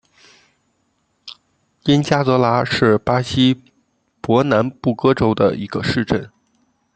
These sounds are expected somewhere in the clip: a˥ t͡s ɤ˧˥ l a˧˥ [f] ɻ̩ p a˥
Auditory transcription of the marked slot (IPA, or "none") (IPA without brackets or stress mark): ʂ